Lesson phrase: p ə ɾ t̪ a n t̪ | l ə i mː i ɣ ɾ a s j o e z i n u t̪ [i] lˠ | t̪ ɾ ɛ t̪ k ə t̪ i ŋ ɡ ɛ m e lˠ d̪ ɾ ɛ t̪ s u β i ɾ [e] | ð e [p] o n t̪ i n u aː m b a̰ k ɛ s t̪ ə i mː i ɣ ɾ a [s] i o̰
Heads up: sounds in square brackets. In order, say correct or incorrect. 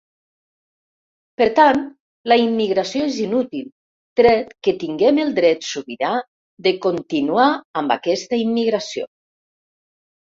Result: correct, incorrect: a, incorrect: k, correct

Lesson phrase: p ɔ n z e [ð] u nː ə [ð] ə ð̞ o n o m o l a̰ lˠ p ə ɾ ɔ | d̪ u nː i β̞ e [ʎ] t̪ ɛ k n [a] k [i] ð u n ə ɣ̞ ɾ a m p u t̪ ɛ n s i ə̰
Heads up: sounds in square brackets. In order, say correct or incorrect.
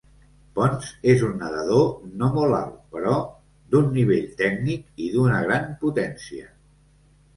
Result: incorrect: z, correct, correct, incorrect: i, correct

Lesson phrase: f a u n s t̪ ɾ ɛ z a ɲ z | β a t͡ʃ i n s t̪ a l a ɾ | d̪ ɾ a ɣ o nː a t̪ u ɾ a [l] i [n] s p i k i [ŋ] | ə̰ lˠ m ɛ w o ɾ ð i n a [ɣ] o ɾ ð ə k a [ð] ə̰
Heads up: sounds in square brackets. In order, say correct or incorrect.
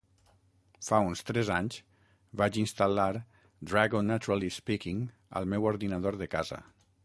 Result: correct, incorrect: none, correct, incorrect: ð, incorrect: z

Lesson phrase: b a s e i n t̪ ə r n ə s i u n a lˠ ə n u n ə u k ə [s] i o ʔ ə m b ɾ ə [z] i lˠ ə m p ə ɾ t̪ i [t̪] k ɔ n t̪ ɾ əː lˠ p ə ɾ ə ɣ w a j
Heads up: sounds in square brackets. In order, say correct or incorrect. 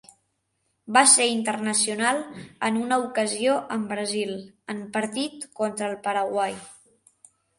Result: incorrect: z, correct, correct

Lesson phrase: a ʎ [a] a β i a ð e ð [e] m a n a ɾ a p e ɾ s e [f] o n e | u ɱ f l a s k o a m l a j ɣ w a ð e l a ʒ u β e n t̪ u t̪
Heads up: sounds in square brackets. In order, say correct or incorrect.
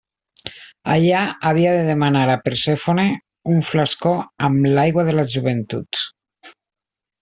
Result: correct, correct, correct

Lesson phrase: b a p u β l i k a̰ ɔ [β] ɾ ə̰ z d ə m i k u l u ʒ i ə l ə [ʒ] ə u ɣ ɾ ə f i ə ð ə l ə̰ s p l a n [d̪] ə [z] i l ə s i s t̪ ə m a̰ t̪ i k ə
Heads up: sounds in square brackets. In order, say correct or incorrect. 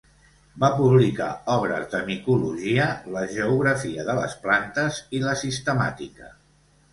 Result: correct, correct, incorrect: t̪, correct

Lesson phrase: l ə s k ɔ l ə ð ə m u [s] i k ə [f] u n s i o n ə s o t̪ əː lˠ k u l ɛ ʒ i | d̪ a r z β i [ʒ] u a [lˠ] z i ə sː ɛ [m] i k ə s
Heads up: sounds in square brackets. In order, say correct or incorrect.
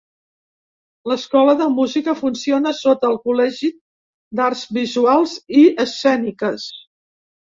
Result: incorrect: z, correct, incorrect: z, correct, incorrect: n

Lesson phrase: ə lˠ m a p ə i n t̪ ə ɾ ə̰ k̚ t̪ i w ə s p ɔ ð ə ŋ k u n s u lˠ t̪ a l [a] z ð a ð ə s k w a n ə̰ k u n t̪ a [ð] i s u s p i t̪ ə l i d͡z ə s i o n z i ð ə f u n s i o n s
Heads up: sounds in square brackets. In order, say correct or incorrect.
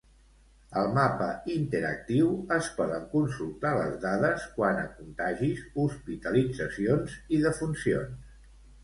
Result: incorrect: ə, incorrect: ʒ

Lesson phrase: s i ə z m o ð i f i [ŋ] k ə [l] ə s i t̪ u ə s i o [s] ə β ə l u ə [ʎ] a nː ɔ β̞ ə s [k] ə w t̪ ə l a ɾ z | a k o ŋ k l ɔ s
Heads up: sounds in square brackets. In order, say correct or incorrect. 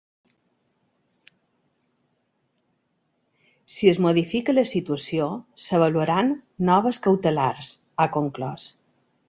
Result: incorrect: none, correct, correct, incorrect: ɾ, correct

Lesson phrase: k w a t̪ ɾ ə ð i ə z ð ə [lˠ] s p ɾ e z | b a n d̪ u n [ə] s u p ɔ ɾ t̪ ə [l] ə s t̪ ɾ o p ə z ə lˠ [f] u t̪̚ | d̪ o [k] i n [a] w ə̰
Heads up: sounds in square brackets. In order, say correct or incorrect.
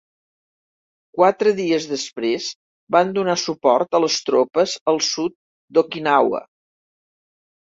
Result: incorrect: none, incorrect: a, correct, incorrect: s, correct, correct

